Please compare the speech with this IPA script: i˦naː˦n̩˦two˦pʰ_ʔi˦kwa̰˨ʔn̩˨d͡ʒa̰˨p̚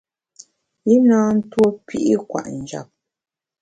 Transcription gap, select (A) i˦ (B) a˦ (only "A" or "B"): A